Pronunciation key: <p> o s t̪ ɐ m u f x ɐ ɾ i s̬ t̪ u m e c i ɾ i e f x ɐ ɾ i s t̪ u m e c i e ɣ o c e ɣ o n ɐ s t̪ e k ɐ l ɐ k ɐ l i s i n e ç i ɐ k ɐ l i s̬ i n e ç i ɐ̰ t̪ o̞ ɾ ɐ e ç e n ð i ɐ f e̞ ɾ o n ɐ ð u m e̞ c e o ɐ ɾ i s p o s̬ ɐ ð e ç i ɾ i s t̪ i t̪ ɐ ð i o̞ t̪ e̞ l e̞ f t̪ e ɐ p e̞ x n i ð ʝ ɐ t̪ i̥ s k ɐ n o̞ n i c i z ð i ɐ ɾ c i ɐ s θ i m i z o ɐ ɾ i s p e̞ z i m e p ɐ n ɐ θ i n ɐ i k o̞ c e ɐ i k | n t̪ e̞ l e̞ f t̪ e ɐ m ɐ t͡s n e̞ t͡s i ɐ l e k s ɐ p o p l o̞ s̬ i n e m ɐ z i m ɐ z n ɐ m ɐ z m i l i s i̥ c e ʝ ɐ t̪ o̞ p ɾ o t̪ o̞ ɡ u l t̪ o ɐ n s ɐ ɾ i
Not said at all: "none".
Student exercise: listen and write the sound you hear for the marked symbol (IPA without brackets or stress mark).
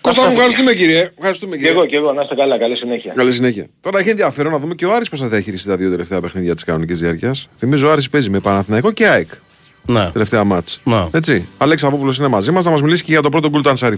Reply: k